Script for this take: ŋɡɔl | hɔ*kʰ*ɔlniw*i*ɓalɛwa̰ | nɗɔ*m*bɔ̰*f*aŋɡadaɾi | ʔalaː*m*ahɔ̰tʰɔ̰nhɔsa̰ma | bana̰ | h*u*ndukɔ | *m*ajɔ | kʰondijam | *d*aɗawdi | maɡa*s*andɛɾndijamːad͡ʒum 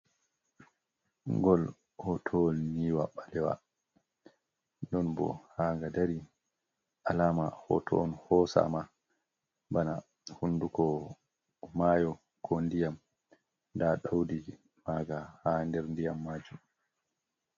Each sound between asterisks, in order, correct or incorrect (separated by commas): incorrect, incorrect, incorrect, incorrect, correct, correct, correct, correct, incorrect